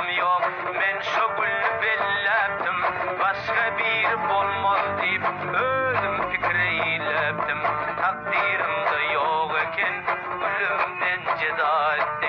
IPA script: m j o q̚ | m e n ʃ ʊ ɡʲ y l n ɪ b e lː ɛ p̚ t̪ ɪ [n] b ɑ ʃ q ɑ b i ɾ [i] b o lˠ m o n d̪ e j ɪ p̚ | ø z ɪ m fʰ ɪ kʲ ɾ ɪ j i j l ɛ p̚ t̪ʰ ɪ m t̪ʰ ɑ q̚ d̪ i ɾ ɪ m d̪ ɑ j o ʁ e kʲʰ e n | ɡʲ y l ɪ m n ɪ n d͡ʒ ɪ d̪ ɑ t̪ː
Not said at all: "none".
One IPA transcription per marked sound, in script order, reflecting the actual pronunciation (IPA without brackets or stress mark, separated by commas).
m, ɪ